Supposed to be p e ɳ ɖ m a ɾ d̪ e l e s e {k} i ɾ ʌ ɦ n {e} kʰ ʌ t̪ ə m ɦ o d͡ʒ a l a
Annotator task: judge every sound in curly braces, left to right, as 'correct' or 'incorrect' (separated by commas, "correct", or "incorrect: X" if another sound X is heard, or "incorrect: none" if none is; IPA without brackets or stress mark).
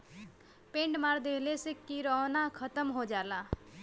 correct, incorrect: a